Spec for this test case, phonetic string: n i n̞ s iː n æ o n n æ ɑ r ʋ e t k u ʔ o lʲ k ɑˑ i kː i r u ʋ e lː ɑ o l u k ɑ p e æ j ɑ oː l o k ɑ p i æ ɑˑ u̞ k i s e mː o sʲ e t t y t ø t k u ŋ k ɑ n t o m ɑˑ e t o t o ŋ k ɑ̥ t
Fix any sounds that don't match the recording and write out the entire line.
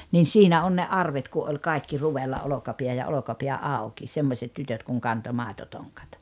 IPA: n i n̞ s iː n æ o n n e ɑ r ʋ e t k u ʔ o lʲ k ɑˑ i kː i r u ʋ e lː ɑ o l o k ɑ p i æ j ɑ o l o k ɑ p i æ ɑˑ u̞ k i s e mː o sʲ e t t y t ø t k u ŋ k ɑ n t o m ɑˑ e t o t o ŋ k ɑ̥ t